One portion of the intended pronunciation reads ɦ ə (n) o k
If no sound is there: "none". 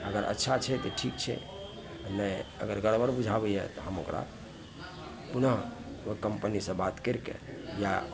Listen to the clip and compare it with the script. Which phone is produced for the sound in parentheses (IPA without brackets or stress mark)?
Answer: m